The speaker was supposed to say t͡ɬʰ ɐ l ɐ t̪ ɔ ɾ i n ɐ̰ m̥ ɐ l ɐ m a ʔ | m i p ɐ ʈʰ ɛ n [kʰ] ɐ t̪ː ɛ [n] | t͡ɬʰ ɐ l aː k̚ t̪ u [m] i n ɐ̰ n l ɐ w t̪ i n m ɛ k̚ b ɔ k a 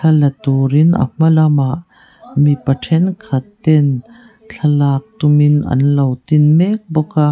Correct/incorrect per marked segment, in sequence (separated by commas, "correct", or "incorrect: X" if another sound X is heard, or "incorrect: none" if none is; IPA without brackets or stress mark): correct, correct, correct